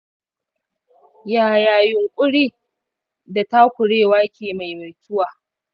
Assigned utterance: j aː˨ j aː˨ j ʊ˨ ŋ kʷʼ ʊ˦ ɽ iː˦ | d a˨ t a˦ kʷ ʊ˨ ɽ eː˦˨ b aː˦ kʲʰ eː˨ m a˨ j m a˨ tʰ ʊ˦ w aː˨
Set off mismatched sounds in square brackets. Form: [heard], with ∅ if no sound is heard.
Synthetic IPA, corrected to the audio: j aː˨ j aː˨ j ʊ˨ ŋ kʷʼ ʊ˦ ɽ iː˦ | d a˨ t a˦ kʷ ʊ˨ ɽ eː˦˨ [w] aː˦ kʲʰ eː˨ m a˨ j m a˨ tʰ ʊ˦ w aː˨

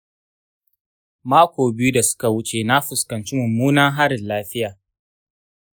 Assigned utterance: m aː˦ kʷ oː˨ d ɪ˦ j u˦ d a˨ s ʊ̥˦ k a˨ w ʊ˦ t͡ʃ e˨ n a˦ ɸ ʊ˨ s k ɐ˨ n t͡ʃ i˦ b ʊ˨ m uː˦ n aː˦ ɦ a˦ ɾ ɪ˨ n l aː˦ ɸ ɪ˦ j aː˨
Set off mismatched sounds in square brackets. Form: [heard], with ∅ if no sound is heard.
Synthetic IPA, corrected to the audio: m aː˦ kʷ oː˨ [b] ɪ˦ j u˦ d a˨ s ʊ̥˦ k a˨ w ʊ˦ t͡ʃ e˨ n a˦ ɸ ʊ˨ s k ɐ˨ n t͡ʃ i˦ [m] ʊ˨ m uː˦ n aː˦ ɦ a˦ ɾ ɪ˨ n l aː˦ ɸ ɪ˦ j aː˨

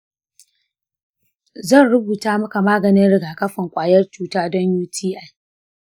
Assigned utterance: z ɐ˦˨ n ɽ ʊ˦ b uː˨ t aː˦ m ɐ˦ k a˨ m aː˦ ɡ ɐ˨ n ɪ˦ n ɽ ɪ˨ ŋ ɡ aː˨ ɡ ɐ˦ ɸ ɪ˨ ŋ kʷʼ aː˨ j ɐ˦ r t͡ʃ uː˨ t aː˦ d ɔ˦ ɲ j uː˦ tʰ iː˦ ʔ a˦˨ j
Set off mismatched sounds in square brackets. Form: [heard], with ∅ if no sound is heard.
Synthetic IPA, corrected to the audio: z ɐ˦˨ n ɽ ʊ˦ b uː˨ t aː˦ m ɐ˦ k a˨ m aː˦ ɡ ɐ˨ n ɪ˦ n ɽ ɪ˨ [∅] ɡ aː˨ [k] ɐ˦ ɸ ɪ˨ ŋ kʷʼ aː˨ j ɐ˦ r t͡ʃ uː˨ t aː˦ d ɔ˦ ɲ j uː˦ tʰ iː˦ ʔ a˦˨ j

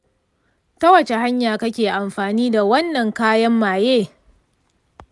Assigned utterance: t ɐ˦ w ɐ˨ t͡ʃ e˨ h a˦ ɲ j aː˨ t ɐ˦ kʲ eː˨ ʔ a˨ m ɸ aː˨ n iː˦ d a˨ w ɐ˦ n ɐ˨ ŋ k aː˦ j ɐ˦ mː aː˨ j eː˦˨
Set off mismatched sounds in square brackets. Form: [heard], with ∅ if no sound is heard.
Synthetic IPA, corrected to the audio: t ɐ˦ w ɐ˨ t͡ʃ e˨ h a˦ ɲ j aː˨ [k] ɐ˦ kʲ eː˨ ʔ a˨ m ɸ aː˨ n iː˦ d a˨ w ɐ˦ [nː] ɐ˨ ŋ k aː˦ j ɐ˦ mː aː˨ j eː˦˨

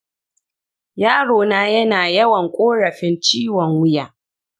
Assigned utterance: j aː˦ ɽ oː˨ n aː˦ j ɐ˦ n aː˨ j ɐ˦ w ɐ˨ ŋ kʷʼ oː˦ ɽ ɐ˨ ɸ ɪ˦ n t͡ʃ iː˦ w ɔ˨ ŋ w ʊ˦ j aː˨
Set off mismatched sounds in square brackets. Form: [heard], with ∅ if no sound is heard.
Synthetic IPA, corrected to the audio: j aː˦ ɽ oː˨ n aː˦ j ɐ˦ n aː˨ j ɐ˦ w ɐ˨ ŋ kʷʼ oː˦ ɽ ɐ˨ ɸ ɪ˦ n t͡ʃ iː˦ w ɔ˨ ŋ w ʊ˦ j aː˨

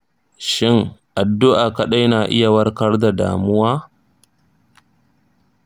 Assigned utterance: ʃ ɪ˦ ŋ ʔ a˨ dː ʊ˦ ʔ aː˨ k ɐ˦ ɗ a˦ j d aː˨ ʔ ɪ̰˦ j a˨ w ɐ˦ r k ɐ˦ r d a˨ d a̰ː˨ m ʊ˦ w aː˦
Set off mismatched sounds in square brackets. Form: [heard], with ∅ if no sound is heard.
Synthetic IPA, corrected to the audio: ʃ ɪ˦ ŋ ʔ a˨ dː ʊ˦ ʔ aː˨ k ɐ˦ ɗ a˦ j [n] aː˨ ʔ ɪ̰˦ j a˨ w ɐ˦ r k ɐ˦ r d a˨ d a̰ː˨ m ʊ˦ w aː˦

